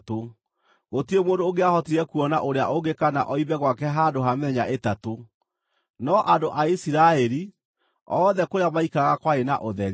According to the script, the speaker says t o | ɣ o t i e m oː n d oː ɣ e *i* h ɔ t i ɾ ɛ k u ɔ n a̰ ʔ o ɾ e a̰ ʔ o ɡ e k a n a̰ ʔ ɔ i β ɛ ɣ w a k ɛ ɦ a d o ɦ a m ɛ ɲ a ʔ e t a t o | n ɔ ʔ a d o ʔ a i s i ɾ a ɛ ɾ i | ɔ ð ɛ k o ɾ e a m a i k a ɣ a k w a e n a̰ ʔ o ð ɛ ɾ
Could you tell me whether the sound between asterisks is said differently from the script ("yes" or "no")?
yes